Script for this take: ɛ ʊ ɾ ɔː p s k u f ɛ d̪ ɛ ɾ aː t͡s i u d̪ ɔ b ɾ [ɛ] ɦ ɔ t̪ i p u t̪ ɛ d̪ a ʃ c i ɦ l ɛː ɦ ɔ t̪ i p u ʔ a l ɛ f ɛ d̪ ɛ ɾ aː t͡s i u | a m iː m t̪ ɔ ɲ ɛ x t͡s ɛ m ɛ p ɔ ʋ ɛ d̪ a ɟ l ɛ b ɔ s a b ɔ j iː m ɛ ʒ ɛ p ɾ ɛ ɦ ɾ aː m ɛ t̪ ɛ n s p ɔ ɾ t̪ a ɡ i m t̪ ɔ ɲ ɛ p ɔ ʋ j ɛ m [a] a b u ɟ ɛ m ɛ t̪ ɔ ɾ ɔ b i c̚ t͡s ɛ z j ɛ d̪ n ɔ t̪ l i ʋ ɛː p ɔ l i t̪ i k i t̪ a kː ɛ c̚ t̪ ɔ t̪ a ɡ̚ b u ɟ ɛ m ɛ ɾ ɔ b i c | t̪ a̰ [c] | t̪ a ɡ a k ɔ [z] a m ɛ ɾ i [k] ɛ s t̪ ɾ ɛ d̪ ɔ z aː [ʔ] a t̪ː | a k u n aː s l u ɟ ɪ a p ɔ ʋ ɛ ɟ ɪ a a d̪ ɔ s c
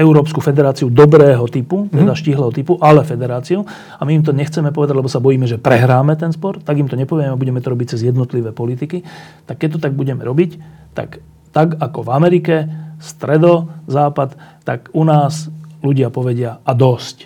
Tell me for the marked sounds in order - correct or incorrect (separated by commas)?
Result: incorrect, incorrect, incorrect, incorrect, correct, incorrect